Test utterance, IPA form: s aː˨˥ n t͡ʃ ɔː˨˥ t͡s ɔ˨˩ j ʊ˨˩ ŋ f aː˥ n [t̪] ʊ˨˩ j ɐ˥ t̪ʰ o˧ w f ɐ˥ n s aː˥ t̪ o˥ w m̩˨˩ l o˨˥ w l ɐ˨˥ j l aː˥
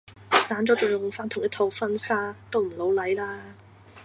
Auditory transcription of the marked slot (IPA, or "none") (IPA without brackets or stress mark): t̪ʰ